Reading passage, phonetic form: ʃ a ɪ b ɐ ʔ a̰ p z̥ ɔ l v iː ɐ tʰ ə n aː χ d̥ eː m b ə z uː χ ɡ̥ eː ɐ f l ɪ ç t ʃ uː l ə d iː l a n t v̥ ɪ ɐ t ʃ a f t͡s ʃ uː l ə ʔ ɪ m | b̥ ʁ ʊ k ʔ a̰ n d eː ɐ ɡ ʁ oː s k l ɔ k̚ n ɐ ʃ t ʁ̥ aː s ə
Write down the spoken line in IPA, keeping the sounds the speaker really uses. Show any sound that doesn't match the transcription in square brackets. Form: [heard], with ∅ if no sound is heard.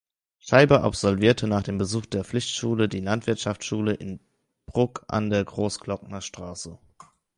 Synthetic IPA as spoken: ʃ a ɪ b ɐ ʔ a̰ p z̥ ɔ l v iː ɐ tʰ ə n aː χ d̥ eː m b ə z uː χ [d̥] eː ɐ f l ɪ ç t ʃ uː l ə d iː l a n t v̥ ɪ ɐ t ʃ a f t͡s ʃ uː l ə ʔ ɪ [n] | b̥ ʁ ʊ k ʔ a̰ n d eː ɐ ɡ ʁ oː s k l ɔ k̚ n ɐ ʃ t ʁ̥ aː s ə